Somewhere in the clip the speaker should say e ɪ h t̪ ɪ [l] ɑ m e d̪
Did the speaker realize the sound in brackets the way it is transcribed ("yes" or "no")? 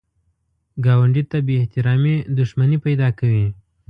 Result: no